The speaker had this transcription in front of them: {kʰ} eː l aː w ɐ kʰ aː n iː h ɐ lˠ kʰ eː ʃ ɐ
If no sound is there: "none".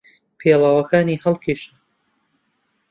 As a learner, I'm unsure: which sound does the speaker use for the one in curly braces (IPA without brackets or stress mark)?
pʰ